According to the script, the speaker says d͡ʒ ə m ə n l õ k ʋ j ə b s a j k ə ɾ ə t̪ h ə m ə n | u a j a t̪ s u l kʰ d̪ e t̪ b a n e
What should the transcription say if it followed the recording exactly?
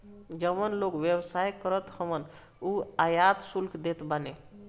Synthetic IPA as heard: d͡ʒ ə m ə n l o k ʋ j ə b s a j k ə ɾ ə t̪ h ə m ə n | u a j a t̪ s u l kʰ d̪ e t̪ b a n e